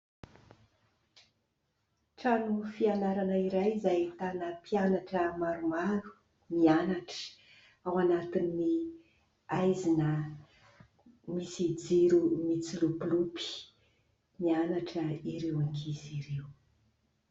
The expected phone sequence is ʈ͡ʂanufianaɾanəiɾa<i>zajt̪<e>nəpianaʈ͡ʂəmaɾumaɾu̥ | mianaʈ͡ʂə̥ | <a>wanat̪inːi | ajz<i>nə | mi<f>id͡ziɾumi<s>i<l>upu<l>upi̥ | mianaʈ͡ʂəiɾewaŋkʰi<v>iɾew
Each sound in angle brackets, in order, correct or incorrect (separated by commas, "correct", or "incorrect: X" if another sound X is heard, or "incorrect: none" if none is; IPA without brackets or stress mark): incorrect: j, incorrect: a, correct, correct, incorrect: s, incorrect: t͡s, correct, correct, incorrect: z